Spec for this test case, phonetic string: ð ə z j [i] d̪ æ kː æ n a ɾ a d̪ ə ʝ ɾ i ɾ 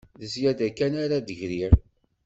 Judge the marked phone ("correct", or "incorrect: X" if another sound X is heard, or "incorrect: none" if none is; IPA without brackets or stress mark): incorrect: æ